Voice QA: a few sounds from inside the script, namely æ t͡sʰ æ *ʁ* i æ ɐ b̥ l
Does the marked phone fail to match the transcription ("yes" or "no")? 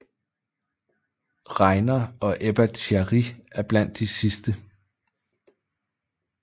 no